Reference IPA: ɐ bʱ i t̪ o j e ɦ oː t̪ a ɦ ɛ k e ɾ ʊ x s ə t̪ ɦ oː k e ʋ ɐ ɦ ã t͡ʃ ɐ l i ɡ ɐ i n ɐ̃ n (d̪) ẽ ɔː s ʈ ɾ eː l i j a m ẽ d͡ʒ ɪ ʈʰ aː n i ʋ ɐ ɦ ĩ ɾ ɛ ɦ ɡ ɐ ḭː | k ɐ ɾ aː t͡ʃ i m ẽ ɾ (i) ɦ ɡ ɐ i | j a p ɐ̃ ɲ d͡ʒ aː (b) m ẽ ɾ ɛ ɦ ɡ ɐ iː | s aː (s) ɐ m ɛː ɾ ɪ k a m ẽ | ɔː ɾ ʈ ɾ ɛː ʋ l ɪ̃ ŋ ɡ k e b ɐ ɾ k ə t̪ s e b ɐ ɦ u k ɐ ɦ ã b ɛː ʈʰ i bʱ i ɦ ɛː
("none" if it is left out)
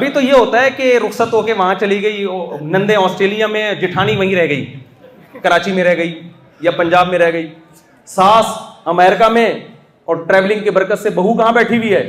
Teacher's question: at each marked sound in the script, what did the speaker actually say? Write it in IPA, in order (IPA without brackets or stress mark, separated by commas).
d̪, ɛ, b, s